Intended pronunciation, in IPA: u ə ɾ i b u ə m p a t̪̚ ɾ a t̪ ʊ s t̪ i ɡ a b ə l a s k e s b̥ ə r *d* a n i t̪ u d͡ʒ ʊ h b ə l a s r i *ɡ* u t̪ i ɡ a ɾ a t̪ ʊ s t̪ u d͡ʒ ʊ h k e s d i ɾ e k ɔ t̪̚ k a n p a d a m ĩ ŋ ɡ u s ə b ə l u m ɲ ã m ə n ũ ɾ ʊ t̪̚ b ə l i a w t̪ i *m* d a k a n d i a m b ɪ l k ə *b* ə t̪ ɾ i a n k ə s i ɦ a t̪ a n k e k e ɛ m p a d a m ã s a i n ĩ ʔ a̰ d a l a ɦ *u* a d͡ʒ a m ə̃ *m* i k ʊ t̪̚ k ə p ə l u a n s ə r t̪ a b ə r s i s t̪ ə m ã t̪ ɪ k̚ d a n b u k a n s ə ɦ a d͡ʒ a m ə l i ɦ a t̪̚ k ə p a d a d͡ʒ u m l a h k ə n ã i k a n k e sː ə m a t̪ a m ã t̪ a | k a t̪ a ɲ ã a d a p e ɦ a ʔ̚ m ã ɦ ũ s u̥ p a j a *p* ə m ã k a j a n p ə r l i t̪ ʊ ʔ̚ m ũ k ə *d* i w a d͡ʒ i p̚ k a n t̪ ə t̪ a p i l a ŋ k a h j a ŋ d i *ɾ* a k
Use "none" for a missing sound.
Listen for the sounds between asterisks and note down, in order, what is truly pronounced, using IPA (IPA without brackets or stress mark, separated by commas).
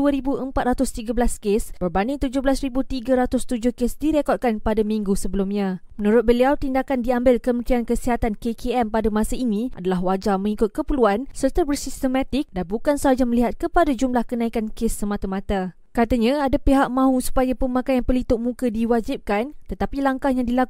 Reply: b, b, n, m, w, ŋ, p, d, l